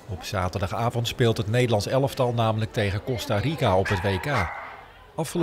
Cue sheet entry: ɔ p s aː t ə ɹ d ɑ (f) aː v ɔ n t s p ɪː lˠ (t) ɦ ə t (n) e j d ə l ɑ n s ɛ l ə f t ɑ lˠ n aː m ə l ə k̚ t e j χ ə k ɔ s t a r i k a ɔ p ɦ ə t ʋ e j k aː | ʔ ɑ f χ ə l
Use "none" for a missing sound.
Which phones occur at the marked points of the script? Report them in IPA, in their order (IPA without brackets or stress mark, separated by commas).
χ, t, n